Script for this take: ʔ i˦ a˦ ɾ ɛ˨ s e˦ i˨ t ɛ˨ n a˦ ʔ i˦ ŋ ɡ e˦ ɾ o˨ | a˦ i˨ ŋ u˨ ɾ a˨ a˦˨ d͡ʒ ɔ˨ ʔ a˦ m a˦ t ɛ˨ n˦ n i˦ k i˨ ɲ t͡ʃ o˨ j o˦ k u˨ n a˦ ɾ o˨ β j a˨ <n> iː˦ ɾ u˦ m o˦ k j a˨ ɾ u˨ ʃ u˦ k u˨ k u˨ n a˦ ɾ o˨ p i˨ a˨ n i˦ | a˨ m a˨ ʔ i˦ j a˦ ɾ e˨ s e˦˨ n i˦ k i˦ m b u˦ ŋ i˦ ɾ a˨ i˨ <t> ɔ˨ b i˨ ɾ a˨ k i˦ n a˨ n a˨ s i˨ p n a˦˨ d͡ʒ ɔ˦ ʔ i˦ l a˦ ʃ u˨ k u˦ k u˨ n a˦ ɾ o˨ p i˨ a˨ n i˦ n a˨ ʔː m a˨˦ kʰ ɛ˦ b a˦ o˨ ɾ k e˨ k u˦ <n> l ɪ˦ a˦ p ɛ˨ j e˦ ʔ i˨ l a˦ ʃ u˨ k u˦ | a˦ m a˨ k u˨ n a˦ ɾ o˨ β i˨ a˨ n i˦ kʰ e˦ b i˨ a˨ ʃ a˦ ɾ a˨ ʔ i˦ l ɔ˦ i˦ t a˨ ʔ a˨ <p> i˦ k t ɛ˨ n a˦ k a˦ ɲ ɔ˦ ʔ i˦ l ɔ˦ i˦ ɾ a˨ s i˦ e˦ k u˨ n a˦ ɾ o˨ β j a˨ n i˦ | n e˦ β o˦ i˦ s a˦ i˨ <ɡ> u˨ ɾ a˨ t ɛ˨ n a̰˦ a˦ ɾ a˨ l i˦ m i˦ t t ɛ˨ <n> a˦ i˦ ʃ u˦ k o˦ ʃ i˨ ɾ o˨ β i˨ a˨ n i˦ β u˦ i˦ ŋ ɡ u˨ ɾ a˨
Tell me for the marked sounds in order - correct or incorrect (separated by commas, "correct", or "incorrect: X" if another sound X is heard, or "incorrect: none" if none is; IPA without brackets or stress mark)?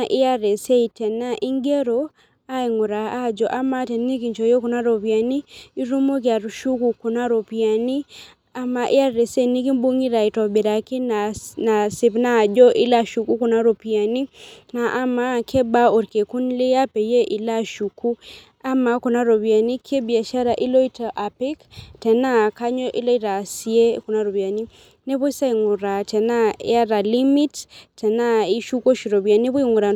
correct, correct, correct, correct, incorrect: ŋ, correct